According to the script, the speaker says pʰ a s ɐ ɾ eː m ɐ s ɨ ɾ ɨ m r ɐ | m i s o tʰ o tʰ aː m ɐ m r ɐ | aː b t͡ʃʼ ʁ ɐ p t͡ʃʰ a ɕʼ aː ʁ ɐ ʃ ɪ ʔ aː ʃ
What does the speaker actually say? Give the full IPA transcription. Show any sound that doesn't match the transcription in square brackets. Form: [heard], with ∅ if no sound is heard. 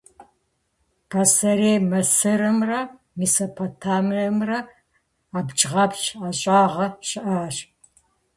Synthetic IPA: pʰ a s ɐ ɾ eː m ɐ s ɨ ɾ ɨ m r ɐ | m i s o [pʰ] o tʰ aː m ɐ m r ɐ | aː b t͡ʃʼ ʁ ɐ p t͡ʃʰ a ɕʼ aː ʁ ɐ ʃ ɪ ʔ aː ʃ